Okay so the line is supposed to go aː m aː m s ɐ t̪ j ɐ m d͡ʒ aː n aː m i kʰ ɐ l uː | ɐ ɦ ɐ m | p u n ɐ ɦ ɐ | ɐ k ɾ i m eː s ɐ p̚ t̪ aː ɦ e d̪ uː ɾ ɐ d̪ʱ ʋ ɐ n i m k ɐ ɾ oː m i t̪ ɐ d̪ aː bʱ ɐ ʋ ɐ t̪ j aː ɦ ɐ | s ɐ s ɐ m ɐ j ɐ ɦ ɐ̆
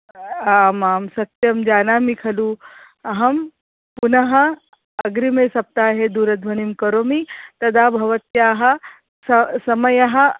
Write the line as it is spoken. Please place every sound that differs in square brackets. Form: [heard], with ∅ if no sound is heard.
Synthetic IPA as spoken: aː m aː m s ɐ t̪ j ɐ m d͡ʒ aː n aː m i kʰ ɐ l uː | ɐ ɦ ɐ m | p u n ɐ ɦ ɐ | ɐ [ɡ] ɾ i m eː s ɐ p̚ t̪ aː ɦ e d̪ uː ɾ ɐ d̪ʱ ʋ ɐ n i m k ɐ ɾ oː m i t̪ ɐ d̪ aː bʱ ɐ ʋ ɐ t̪ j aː ɦ ɐ | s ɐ s ɐ m ɐ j ɐ ɦ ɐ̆